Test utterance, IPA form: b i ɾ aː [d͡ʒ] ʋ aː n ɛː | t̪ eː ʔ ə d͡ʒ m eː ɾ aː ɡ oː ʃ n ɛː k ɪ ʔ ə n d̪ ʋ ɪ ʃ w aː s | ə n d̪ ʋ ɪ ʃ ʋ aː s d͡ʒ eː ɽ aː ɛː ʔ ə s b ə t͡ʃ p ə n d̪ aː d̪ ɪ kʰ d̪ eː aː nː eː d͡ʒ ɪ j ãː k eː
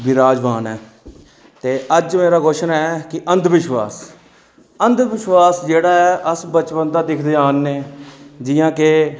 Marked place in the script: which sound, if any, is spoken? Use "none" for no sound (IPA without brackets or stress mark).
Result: d͡ʒ